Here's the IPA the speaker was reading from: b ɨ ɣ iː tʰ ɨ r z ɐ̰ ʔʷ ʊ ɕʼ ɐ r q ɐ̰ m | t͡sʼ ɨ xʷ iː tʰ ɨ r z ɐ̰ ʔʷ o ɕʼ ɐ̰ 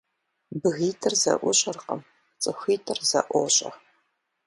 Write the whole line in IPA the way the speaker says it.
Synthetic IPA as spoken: b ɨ ɣ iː tʰ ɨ r z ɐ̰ ʔʷ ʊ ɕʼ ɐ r q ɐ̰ m | t͡sʼ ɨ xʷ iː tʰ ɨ r z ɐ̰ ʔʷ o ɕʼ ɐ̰